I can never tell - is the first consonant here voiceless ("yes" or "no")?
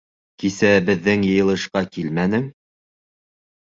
yes